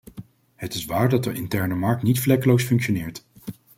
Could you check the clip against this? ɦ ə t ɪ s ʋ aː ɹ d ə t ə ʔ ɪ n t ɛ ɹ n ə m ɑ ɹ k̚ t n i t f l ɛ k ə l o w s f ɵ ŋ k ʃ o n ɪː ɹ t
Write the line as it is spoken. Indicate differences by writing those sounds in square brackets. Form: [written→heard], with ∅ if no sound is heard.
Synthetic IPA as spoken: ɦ ə t ɪ s ʋ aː ɹ d [ə→ɑ] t ə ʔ ɪ n t ɛ ɹ n ə m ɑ ɹ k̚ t n i t f l ɛ k ə l o w s f ɵ ŋ k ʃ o n ɪː ɹ t